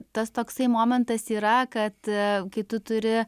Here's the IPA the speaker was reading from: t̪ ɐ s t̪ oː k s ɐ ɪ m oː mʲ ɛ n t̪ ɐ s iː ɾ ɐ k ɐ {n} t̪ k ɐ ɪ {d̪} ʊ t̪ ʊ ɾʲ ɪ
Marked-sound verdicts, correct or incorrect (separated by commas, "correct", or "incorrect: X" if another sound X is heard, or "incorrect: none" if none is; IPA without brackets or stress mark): incorrect: none, incorrect: t̪